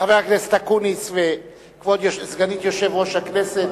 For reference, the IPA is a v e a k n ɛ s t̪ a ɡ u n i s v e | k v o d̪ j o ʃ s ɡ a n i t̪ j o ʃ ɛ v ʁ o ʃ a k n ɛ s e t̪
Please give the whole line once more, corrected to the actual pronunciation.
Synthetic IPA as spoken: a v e a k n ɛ s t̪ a k u n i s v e | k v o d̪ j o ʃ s ɡ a n i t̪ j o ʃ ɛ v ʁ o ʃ a k n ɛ s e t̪